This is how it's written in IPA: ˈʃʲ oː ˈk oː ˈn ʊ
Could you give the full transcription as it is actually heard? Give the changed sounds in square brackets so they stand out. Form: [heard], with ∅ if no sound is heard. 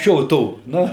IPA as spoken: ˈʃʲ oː [ˈt] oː ˈn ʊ